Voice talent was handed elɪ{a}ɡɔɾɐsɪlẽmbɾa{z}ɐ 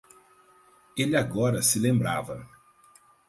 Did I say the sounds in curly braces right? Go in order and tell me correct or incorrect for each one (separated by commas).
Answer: correct, incorrect